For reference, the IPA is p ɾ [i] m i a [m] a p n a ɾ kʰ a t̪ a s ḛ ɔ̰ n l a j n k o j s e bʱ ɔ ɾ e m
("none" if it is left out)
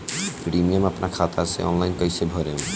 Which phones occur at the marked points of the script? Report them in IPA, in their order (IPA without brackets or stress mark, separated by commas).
i, m